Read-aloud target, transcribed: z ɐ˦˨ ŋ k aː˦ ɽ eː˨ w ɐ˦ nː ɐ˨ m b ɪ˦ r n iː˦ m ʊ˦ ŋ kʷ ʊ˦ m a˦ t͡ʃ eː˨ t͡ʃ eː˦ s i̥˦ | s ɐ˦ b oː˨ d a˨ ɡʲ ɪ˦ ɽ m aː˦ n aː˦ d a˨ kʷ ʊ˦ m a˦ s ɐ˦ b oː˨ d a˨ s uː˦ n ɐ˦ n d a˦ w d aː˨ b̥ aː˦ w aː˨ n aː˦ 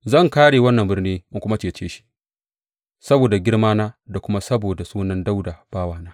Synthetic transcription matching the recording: z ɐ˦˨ ŋ k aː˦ ɽ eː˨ w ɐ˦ nː ɐ˨ m b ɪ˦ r n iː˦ m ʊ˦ ŋ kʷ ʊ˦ m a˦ t͡ʃ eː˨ t͡ʃ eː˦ ʃ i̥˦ | s ɐ˦ b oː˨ d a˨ ɡʲ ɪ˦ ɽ m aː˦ n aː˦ d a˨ kʷ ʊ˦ m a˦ s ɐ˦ b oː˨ d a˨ s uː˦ n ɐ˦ n d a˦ w d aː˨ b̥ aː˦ w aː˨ n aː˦